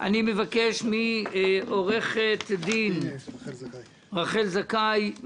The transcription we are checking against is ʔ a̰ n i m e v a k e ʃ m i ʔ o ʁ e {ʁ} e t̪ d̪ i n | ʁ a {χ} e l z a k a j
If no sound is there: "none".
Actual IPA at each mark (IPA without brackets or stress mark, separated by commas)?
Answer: χ, χ